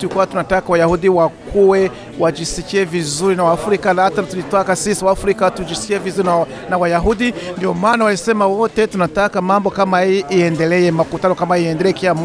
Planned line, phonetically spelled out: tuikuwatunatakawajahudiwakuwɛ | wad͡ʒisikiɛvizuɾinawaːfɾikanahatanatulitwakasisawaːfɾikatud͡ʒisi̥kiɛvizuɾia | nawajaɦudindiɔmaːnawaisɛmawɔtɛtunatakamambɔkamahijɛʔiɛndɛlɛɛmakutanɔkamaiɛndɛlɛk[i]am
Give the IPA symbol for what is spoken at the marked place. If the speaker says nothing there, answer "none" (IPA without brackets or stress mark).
i